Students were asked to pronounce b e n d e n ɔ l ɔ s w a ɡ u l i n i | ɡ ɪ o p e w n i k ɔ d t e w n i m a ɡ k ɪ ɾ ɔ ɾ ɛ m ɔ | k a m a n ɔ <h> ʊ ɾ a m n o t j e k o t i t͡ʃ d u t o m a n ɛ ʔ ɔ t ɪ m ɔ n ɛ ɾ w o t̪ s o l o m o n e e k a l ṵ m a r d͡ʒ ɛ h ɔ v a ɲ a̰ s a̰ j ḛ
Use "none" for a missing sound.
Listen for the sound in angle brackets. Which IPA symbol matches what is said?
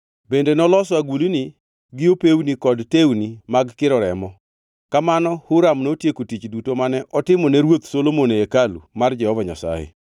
h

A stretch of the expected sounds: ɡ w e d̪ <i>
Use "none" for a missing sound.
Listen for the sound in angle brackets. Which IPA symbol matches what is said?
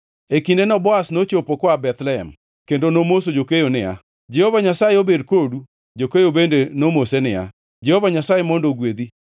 i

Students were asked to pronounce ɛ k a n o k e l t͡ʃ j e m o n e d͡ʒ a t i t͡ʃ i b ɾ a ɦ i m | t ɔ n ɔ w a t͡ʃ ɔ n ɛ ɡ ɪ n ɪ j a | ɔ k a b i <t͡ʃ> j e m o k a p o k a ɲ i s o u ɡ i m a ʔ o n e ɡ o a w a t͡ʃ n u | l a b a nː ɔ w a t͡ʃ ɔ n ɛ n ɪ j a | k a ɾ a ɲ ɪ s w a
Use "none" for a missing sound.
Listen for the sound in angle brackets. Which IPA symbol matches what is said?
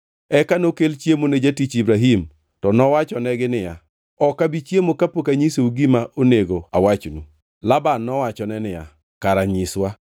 t͡ʃ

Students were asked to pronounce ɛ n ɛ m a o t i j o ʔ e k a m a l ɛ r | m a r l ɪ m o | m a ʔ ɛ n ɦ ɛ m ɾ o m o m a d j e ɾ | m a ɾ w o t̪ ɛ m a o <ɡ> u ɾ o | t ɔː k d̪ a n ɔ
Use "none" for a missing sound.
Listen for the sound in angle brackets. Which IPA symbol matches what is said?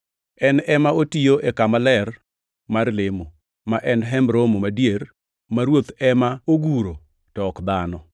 ɡ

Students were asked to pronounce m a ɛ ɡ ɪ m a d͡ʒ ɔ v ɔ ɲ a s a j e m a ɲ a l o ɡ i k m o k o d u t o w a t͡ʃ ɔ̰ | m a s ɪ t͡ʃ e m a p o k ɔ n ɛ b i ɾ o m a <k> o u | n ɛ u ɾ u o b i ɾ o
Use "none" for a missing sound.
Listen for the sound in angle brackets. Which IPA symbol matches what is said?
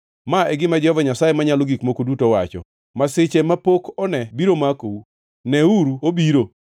k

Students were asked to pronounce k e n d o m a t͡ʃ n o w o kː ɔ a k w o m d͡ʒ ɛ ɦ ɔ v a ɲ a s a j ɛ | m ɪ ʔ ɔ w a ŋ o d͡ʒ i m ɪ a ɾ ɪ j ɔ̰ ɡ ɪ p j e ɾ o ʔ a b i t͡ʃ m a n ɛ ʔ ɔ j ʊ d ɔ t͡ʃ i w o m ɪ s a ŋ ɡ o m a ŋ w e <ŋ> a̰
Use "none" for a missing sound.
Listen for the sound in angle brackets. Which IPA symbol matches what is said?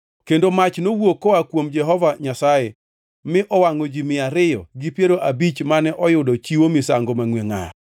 ŋ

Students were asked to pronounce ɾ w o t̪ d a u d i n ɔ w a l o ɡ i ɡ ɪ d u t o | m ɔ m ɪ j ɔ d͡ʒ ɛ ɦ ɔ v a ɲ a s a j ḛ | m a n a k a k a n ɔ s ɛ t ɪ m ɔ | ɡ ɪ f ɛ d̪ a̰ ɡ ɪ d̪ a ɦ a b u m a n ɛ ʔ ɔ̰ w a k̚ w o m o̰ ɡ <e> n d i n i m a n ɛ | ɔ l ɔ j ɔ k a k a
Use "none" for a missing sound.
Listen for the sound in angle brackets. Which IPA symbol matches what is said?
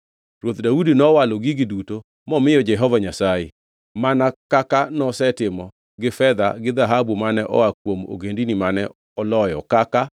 e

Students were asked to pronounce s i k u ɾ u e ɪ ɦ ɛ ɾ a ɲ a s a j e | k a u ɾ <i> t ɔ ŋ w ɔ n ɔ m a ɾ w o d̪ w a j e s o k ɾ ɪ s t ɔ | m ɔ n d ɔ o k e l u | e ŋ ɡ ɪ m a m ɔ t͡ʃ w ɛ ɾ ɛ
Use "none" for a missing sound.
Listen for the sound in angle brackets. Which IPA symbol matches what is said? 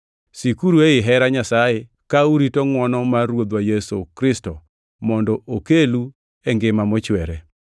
i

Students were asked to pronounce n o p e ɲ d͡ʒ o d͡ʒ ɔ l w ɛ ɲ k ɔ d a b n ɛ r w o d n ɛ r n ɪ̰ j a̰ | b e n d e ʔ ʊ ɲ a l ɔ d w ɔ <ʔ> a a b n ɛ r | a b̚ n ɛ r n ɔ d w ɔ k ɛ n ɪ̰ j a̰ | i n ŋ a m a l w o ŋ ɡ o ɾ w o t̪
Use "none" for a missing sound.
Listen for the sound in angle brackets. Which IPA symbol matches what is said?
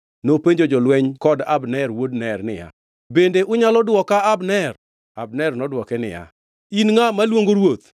k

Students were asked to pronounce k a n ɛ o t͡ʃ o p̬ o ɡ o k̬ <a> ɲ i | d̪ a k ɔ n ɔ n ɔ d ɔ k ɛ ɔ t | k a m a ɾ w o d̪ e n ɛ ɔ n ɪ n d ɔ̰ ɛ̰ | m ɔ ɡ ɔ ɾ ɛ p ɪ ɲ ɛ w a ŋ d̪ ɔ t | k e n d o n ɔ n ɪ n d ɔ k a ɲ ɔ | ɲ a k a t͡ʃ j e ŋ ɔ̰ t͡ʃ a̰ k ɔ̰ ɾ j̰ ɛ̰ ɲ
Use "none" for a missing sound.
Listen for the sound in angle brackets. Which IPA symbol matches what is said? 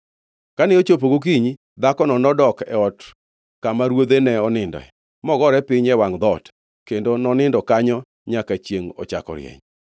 i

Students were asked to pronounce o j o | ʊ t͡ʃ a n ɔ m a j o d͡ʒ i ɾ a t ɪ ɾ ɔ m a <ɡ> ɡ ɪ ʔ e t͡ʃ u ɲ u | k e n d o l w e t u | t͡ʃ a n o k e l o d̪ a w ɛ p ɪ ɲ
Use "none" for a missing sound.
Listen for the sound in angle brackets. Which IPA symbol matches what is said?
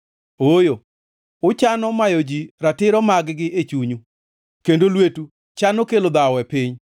ɡ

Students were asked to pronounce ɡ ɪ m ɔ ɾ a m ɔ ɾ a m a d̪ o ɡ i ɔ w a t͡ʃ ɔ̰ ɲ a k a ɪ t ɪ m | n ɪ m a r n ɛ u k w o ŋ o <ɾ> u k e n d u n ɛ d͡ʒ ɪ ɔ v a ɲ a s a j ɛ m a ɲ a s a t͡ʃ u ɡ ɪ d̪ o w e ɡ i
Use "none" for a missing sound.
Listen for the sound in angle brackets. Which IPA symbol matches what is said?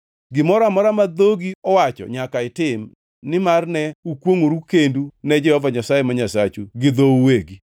ɾ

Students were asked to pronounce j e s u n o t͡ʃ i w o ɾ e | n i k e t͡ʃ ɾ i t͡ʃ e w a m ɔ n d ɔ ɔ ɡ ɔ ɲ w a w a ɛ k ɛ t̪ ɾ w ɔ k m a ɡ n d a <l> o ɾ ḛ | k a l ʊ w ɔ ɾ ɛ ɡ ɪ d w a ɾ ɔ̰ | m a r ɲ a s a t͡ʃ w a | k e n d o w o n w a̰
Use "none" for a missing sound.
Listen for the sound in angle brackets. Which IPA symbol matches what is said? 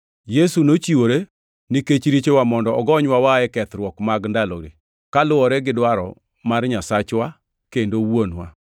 l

